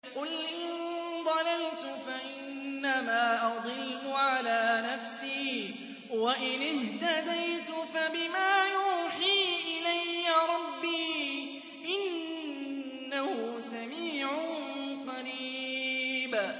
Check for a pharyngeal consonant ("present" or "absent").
present